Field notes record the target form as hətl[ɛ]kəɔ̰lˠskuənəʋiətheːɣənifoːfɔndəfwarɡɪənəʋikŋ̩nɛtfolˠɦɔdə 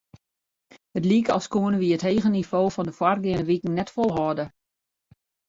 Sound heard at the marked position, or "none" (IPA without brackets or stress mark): i